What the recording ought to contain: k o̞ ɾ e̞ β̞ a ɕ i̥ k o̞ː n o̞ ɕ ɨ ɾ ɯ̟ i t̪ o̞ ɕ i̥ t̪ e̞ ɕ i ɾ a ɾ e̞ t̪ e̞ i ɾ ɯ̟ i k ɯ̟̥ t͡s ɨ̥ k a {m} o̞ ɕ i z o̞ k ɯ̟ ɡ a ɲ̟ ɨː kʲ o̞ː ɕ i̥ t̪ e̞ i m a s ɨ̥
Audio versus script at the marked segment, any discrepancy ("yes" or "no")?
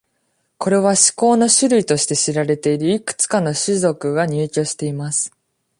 yes